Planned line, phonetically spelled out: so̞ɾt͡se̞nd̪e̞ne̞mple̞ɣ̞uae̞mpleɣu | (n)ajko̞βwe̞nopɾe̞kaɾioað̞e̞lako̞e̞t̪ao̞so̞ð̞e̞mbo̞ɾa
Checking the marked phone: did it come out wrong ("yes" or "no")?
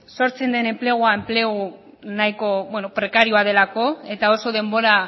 no